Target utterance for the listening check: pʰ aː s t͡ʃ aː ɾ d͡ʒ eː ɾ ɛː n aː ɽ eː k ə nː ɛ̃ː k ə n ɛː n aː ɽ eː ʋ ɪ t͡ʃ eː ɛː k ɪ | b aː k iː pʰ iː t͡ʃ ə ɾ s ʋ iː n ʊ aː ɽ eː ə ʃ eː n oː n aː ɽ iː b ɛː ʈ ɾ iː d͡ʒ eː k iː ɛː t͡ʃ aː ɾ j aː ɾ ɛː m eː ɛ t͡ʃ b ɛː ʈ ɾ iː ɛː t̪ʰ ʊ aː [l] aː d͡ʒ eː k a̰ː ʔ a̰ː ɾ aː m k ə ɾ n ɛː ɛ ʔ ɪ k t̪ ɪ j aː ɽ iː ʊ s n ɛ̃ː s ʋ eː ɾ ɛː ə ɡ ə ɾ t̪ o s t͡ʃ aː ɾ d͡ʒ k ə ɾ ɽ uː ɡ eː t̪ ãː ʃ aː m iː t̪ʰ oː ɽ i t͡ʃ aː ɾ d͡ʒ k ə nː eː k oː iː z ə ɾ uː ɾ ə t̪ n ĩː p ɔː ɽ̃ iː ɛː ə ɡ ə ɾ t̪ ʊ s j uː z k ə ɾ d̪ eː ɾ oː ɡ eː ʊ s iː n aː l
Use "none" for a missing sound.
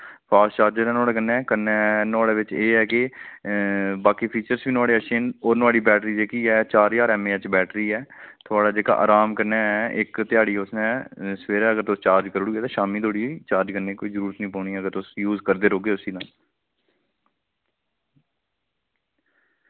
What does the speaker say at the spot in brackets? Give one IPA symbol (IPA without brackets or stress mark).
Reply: ɽ